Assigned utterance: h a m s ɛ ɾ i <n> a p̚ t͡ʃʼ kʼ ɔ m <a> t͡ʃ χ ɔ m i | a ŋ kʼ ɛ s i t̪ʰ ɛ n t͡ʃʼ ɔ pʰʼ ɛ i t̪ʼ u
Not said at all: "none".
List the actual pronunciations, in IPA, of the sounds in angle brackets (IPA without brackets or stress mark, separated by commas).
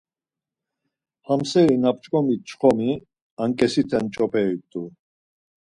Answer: n, i